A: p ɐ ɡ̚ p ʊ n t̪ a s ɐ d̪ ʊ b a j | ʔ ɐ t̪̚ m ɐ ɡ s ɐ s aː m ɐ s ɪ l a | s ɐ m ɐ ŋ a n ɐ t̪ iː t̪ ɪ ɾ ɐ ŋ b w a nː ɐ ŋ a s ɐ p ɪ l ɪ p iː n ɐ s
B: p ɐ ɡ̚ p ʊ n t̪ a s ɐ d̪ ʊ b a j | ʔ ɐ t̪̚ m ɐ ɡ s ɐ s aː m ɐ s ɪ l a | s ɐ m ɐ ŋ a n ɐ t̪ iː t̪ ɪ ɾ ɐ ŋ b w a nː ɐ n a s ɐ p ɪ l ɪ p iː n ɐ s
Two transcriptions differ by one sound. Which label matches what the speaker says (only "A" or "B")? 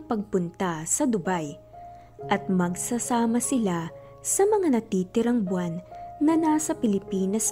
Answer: B